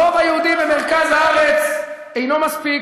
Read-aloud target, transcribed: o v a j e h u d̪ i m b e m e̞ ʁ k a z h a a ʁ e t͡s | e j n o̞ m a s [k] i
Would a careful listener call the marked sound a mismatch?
yes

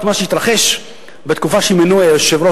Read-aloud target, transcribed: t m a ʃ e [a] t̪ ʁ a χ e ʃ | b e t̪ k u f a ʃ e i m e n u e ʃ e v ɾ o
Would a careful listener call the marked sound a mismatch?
yes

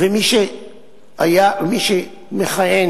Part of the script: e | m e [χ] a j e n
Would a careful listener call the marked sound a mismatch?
no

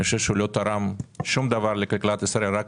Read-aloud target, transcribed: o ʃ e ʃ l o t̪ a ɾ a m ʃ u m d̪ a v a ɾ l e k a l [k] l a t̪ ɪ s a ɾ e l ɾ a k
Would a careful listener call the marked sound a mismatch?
no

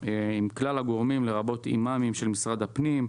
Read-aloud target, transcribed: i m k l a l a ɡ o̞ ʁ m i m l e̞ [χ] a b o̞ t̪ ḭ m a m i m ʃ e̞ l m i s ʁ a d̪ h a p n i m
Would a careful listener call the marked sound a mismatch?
yes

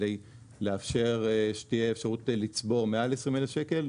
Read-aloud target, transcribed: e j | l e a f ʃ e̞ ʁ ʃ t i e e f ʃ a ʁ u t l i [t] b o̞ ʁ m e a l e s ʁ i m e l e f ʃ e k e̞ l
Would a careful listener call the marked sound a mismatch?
yes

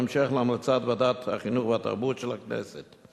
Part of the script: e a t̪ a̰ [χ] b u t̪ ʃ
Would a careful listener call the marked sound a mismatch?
yes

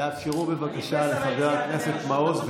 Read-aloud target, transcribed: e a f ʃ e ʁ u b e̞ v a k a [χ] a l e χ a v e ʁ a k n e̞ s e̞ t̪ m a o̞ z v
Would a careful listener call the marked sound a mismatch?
yes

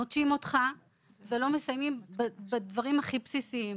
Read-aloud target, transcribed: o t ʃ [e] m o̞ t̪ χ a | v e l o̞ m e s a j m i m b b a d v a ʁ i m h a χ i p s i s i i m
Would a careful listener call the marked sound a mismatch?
yes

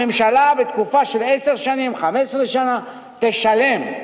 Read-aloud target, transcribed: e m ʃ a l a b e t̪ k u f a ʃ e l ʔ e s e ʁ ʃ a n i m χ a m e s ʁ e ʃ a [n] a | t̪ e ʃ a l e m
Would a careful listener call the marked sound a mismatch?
no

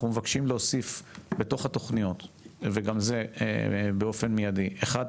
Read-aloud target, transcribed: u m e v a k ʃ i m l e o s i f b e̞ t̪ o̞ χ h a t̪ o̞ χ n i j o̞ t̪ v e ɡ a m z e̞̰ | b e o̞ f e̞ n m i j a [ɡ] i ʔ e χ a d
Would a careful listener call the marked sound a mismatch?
yes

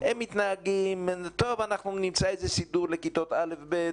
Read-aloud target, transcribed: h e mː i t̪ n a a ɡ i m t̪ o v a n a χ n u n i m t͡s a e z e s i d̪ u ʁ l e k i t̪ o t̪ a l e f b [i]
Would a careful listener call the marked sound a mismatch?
yes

